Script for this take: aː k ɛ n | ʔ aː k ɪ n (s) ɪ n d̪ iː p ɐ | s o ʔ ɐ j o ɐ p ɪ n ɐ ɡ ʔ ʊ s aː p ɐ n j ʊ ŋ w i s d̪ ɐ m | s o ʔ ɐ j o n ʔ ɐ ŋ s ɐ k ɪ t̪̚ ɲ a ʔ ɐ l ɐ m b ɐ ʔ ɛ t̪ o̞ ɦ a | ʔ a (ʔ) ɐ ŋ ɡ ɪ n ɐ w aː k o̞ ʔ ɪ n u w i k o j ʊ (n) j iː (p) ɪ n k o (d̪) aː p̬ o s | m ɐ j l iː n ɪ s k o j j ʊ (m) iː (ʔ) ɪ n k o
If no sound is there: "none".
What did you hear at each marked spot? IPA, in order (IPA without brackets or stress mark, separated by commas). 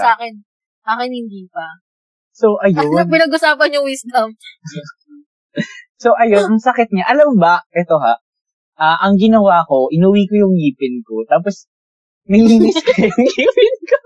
h, ʔ, ŋ, p, t̪, ŋ, p